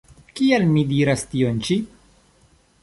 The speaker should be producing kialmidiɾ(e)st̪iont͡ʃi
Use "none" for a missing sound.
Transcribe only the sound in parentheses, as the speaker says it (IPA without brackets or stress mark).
a